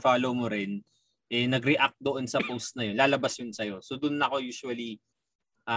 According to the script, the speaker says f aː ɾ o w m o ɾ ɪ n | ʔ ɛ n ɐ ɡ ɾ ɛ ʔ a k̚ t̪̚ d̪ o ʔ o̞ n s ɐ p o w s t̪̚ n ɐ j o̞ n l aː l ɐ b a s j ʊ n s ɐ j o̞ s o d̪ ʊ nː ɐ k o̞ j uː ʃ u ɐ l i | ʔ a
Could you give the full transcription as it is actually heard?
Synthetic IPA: f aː l o w m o ɾ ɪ n | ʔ ɛ n ɐ ɡ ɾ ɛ ʔ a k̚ t̪̚ d̪ o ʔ o̞ n s ɐ p o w s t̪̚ n ɐ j o̞ n l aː l ɐ b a s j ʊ n s ɐ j o̞ s o d̪ ʊ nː ɐ k o̞ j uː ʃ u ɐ l i | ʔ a